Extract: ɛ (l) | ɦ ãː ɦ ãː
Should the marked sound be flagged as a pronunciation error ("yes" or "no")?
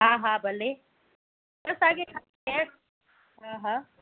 yes